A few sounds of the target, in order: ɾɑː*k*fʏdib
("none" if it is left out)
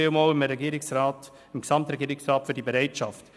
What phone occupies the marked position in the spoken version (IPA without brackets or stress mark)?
t